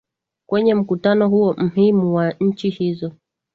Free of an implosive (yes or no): yes